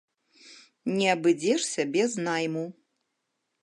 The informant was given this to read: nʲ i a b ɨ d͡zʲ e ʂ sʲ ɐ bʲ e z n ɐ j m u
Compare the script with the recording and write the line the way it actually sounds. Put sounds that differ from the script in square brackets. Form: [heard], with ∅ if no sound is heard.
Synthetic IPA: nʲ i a b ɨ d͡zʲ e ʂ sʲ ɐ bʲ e z n [a] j m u